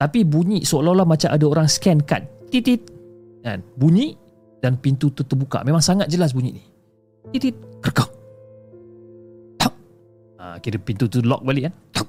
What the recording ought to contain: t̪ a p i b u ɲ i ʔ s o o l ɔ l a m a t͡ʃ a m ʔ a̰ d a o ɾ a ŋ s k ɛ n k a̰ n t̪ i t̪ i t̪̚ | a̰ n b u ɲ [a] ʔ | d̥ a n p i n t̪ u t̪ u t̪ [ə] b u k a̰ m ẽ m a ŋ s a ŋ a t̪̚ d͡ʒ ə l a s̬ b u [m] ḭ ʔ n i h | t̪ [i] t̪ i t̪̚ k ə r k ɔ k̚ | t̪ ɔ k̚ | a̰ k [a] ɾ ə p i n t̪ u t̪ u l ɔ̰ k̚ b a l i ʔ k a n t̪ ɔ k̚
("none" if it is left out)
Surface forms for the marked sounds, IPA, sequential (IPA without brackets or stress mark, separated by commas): i, ə, ɲ, i, i